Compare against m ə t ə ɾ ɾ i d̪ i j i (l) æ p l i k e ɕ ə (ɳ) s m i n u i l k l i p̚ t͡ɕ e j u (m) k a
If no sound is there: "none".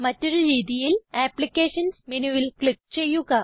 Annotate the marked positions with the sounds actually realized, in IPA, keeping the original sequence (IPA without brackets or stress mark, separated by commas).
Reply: l, n, none